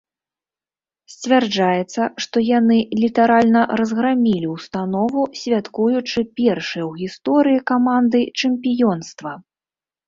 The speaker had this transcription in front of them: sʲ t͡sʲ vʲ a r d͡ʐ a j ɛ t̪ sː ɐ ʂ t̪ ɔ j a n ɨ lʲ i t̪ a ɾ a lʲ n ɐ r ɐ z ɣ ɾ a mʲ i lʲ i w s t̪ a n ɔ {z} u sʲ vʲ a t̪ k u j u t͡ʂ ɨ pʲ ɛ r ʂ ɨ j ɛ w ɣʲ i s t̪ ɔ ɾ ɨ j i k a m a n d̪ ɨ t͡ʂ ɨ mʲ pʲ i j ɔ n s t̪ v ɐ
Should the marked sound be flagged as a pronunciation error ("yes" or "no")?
yes